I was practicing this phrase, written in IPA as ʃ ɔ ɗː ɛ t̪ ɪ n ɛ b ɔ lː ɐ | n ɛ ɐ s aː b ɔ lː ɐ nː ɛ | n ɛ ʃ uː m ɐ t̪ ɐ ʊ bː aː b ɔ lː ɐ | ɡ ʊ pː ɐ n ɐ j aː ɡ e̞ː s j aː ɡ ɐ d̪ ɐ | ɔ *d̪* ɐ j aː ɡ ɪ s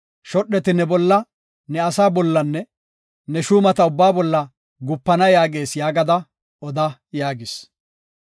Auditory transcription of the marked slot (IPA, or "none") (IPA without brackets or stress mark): d̪